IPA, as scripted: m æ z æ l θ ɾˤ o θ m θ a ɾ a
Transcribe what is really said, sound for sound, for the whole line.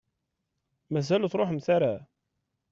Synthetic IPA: m æ z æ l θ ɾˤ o ħ m θ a ɾ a